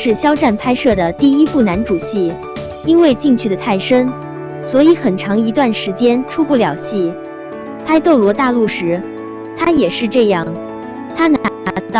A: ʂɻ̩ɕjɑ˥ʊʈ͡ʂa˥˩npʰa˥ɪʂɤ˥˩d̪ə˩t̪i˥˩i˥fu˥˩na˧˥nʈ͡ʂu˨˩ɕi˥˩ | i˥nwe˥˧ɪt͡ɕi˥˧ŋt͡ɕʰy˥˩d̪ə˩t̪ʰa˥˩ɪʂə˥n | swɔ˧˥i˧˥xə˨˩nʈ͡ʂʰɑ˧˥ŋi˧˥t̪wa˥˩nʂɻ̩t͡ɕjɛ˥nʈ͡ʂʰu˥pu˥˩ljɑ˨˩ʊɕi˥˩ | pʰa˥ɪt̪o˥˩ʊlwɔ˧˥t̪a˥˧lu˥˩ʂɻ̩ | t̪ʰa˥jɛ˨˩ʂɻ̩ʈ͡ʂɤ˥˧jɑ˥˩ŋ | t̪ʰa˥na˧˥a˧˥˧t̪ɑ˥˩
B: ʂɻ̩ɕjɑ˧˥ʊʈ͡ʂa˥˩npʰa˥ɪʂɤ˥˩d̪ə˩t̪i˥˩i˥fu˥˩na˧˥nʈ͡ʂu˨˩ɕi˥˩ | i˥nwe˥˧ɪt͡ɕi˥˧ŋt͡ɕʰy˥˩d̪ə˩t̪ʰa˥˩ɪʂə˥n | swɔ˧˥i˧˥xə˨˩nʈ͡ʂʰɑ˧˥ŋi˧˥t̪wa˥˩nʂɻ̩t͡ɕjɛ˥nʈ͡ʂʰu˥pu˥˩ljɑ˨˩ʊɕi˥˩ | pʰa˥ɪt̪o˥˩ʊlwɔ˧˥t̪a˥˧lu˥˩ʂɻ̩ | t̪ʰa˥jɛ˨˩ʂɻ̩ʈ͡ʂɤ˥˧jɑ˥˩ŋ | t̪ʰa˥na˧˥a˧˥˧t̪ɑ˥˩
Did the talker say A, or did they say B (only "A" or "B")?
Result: A